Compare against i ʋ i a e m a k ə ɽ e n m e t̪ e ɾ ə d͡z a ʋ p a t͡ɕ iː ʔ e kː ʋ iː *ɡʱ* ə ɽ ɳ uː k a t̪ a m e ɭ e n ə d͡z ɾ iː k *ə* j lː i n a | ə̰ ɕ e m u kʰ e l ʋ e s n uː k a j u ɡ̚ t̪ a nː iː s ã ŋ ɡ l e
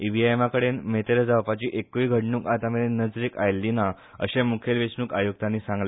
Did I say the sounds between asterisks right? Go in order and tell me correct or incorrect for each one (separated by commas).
correct, incorrect